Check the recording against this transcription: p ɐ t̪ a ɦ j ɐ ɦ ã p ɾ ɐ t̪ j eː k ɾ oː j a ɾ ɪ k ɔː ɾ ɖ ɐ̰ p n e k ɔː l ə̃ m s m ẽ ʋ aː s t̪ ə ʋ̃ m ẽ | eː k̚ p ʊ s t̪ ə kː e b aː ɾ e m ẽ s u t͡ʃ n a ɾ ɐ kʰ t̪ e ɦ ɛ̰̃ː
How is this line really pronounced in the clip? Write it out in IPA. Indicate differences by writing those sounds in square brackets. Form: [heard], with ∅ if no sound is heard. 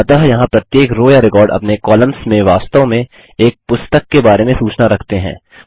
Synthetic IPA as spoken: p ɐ t̪ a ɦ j ɐ ɦ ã p ɾ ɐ t̪ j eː k ɾ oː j a ɾ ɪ k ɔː ɾ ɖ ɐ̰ p n e k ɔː l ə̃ m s m ẽ ʋ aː s t̪ ə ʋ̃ m ẽ | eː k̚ p ʊ s t̪ ə kː e b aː ɾ e m ẽ s [uː] t͡ʃ n a ɾ ɐ kʰ t̪ e ɦ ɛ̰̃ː